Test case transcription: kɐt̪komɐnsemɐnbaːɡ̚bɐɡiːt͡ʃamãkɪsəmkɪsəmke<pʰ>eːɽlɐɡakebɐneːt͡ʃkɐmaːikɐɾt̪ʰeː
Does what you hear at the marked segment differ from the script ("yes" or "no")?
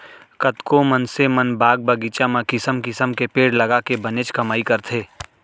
yes